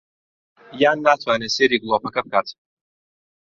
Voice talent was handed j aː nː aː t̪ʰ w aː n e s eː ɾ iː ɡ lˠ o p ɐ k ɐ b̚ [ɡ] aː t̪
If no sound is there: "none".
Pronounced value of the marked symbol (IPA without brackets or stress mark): k